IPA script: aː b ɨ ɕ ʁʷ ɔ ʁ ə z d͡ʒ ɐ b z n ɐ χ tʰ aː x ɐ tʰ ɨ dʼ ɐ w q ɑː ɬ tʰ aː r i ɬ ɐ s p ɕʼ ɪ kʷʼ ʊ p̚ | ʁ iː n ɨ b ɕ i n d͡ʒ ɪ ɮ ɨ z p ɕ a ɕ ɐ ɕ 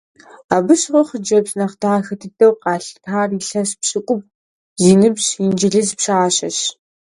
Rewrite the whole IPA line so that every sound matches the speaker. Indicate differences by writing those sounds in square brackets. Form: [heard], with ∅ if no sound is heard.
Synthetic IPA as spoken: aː b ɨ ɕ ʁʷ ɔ [χ] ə [∅] d͡ʒ ɐ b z n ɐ χ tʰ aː x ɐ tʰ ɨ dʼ ɐ w q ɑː ɬ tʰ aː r i ɬ ɐ s p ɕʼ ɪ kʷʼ ʊ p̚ | [z] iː n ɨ b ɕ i n d͡ʒ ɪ ɮ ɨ z p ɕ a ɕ ɐ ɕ